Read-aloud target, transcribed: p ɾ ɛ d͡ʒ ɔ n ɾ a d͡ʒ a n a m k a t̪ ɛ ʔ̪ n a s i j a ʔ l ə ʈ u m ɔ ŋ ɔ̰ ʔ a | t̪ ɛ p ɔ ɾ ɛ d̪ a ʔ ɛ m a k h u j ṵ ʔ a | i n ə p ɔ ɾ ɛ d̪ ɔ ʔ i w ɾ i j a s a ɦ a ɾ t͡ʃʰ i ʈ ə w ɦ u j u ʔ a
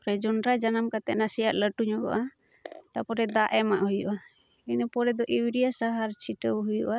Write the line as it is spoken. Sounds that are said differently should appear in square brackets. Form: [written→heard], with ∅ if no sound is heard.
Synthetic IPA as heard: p ɾ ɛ d͡ʒ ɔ n ɾ a d͡ʒ a n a m k a t̪ ɛ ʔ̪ n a s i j a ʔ l ə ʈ u [m→ɲ] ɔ [ŋ→ɡ] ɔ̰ ʔ a | t̪ [ɛ→a] p ɔ ɾ ɛ d̪ a ʔ ɛ m a [k→ʔ] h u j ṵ ʔ a | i n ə p ɔ ɾ ɛ d̪ ɔ ʔ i w ɾ i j a s a ɦ a ɾ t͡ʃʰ i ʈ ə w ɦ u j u ʔ a